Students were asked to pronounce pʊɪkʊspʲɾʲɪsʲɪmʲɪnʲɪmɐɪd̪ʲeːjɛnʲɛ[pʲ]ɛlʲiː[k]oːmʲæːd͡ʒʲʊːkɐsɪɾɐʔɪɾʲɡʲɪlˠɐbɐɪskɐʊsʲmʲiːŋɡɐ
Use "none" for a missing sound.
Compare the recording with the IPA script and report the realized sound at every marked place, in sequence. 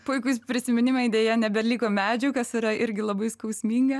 bʲ, k

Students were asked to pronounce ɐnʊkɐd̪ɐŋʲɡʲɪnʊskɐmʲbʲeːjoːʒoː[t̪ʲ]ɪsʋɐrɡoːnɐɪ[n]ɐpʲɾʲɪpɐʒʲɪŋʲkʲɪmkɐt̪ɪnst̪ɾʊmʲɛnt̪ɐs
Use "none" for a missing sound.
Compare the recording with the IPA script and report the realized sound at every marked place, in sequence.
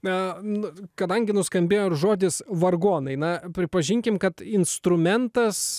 d̪ʲ, n

